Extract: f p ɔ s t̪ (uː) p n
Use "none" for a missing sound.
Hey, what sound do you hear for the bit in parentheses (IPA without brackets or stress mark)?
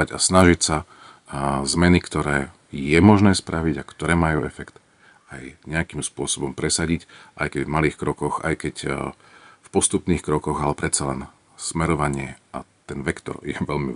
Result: u